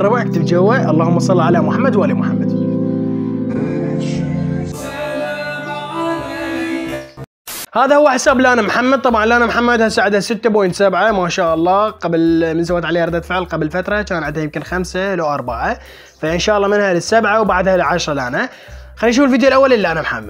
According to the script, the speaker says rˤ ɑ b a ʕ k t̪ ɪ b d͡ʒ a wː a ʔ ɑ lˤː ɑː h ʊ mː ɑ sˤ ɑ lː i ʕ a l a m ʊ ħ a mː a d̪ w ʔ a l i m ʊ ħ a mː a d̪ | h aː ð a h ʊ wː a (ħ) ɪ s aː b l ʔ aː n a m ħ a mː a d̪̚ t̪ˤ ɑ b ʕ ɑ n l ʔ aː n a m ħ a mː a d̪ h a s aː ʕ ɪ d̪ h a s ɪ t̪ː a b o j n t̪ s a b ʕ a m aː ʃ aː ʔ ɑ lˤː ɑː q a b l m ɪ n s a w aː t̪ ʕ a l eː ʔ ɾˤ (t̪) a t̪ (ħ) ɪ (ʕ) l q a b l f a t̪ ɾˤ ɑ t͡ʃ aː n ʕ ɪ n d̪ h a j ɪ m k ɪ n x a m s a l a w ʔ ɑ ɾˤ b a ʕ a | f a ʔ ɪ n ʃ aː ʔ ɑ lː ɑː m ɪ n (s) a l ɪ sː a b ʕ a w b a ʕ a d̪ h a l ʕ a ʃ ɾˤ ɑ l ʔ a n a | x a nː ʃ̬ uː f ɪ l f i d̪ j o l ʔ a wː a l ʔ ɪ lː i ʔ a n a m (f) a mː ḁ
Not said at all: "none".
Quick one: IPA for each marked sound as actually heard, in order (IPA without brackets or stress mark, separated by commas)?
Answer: ħ, d̪, f, ʕ, h, ħ